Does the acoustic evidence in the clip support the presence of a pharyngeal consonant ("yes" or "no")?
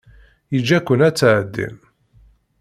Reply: yes